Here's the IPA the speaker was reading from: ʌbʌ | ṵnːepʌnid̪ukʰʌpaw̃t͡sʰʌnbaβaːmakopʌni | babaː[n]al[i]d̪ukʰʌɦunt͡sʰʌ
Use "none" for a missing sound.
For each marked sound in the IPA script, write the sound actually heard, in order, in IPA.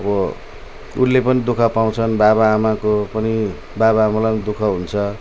m, a

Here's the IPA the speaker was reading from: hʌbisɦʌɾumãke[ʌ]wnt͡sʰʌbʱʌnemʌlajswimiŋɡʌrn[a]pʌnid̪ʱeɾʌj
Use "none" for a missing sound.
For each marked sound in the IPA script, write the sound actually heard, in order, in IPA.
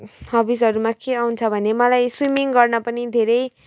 a, ʌ

